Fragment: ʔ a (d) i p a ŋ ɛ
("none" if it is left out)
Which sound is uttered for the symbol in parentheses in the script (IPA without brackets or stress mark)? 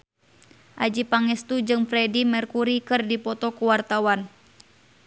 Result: d͡ʒ